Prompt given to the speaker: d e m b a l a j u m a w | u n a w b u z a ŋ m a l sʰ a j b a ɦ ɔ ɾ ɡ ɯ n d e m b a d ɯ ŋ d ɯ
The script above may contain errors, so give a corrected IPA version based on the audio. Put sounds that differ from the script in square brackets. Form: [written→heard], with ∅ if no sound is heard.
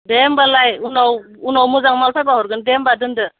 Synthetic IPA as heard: d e m b a l a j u [m→n] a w | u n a w [b→m] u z a ŋ m a l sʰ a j b a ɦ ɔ ɾ ɡ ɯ n d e m b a d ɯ [ŋ→n] d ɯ